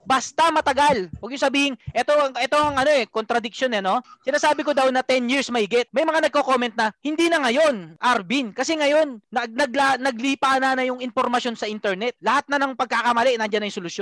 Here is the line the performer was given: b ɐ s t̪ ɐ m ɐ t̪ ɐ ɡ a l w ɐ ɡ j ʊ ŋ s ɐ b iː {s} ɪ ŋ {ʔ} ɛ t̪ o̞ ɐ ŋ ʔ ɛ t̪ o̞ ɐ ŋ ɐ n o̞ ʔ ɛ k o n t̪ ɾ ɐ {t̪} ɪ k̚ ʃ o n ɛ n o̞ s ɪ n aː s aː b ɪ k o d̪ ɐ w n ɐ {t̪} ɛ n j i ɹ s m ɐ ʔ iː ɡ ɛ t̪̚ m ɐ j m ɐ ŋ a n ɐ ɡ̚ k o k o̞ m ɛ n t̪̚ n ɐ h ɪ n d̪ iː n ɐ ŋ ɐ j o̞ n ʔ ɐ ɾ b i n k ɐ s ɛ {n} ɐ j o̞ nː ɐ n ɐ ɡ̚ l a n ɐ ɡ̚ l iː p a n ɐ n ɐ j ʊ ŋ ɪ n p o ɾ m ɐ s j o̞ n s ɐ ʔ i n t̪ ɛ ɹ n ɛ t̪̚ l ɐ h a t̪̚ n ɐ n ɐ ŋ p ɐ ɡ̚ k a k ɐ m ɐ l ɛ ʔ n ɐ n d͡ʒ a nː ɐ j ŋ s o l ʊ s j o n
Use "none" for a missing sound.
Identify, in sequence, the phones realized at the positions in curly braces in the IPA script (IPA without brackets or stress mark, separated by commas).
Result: h, ʔ, d̪, t̪, ŋ